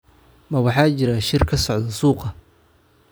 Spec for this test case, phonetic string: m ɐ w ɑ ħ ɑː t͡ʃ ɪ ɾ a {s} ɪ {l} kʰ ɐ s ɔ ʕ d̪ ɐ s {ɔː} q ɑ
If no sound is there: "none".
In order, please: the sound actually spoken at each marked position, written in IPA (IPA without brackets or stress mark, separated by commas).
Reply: ʃ, r, uː